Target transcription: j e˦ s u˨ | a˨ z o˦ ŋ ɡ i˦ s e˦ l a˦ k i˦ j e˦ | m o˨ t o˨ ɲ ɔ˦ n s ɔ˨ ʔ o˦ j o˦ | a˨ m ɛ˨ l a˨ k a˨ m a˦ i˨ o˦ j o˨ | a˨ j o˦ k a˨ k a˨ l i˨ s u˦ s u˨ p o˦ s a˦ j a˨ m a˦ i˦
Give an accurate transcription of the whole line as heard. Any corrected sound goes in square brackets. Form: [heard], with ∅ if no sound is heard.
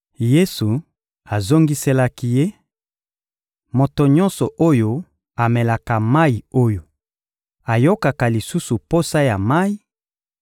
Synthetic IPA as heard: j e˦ s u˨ | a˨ z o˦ ŋ ɡ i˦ s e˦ l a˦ k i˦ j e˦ | m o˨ t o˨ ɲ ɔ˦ n s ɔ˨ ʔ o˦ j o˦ | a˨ m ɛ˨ l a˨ k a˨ m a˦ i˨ o˦ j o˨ | a˨ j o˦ k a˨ k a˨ l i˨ s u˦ s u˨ p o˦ s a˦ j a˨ m a˦ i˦